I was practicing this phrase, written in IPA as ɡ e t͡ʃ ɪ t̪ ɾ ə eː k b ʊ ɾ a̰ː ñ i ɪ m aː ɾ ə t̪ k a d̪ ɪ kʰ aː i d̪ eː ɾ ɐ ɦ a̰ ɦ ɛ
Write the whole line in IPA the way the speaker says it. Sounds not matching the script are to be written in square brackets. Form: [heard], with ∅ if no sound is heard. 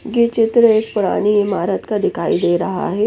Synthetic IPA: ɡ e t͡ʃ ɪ t̪ ɾ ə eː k [p] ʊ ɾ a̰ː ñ i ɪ m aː ɾ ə t̪ k a d̪ ɪ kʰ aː i d̪ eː ɾ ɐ ɦ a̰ ɦ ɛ